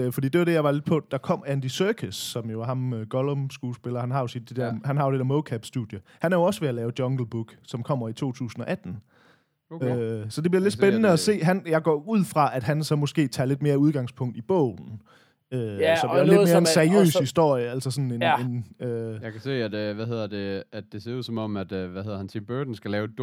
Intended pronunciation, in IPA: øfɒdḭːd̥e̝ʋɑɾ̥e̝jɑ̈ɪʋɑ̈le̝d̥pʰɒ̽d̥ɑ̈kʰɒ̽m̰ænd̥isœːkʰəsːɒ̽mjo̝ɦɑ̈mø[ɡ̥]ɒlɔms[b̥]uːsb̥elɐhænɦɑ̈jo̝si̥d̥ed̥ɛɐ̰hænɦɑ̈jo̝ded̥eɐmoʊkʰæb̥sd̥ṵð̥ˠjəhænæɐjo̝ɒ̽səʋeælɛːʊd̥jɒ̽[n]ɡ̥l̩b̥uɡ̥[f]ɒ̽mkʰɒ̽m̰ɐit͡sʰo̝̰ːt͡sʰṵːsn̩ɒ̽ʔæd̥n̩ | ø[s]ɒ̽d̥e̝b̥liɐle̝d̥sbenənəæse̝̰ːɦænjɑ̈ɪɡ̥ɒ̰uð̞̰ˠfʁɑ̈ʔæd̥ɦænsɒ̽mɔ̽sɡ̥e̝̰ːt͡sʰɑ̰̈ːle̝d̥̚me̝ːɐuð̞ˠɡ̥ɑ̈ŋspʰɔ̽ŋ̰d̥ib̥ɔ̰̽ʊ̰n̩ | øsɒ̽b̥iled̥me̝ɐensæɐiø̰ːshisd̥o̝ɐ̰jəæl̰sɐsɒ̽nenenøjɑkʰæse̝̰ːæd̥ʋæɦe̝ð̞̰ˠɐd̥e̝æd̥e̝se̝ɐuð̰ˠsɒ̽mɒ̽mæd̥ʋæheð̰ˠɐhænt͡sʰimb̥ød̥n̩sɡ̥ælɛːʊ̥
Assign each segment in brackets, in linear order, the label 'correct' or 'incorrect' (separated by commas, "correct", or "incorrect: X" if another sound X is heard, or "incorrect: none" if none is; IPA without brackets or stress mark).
correct, incorrect: ɡ̥, incorrect: ŋ, incorrect: s, correct